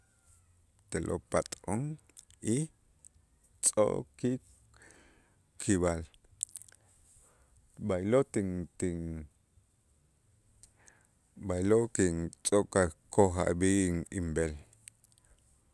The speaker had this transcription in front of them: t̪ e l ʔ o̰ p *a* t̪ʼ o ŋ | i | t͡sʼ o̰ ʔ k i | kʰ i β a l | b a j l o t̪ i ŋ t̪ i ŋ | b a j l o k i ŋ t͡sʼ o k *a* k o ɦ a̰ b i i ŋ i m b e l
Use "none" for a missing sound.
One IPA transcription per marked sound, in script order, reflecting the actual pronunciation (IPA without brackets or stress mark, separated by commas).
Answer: a, a